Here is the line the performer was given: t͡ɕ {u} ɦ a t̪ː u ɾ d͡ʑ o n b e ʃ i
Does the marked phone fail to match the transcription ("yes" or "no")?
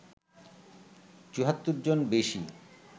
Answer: no